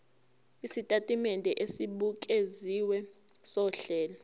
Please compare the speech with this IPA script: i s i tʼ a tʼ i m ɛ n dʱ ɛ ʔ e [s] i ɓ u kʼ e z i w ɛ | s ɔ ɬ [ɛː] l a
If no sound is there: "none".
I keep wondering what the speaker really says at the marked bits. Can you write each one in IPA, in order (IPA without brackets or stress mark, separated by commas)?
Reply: s, ɛː